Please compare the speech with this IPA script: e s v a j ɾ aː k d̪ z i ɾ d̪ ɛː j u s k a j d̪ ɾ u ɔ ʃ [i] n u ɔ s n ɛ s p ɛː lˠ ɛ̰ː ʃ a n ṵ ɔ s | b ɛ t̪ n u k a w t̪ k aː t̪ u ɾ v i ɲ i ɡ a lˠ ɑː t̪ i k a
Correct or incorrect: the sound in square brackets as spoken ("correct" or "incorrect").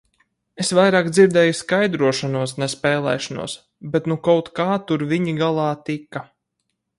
incorrect